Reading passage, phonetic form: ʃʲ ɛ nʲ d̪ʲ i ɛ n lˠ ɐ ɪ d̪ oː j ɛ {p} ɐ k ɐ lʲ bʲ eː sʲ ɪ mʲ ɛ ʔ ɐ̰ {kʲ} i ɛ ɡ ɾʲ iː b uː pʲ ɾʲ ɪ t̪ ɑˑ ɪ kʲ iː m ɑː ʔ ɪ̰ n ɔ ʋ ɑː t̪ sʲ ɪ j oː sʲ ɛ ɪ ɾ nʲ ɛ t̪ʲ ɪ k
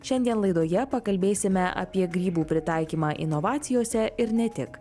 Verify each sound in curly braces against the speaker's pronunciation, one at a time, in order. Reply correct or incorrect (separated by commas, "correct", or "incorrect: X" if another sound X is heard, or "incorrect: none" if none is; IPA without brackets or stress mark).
correct, incorrect: pʲ